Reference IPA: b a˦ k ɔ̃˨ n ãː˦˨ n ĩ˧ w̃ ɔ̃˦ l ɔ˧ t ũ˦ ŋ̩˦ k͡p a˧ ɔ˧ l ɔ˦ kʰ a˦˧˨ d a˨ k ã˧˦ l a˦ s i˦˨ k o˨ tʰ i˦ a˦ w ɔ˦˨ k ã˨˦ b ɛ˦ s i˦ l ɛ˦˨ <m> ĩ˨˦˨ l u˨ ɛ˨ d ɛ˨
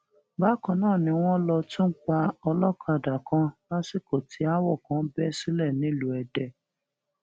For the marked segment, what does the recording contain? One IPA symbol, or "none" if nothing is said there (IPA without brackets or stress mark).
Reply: n